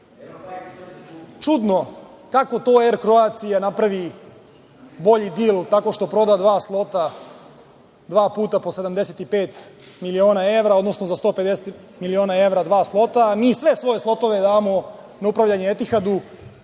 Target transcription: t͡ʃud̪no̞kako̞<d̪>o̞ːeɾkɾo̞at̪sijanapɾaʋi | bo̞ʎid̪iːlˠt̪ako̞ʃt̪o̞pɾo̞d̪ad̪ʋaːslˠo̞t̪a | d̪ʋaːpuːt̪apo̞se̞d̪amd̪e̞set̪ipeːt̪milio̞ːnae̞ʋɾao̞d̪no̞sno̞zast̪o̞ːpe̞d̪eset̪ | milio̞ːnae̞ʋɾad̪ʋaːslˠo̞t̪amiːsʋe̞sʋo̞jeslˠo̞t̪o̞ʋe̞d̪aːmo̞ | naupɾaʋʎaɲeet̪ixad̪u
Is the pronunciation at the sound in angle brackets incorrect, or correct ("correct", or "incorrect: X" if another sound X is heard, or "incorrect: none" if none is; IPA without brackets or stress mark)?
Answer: incorrect: t̪